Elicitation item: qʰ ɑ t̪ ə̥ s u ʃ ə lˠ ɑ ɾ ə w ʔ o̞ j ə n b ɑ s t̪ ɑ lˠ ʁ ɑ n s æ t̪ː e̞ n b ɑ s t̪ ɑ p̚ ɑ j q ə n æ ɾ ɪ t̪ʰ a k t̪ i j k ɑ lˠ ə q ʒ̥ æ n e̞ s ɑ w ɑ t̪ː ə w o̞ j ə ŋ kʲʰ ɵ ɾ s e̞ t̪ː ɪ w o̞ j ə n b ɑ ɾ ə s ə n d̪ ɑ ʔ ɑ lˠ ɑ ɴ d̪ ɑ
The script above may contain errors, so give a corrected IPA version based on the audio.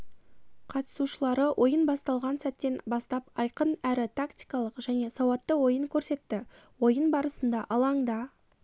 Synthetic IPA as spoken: qʰ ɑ t̪ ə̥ s u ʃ ə lˠ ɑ ɾ ə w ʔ o̞ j ə n b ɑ s t̪ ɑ lˠ ʁ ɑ n s æ t̪ː e̞ n b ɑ s t̪ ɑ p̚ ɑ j q ə n æ ɾ ɪ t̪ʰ a k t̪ i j k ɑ lˠ ə q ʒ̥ æ n e̞ s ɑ w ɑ t̪ː ə w o̞ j ə ŋ kʲʰ ɵ ɾ s e̞ t̪ː ɪ w o̞ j ə n b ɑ ɾ ə s ə n d̪ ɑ ʔ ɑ lˠ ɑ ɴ d̪ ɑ